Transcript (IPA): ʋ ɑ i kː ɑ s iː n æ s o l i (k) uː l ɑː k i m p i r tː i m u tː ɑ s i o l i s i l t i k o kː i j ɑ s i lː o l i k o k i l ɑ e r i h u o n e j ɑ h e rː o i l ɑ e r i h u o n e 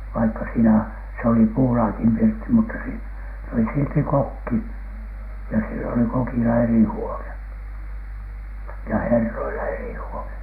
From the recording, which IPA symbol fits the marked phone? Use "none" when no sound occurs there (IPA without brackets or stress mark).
p